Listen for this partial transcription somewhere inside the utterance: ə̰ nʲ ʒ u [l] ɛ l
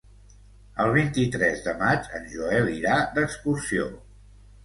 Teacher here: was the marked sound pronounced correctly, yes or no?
no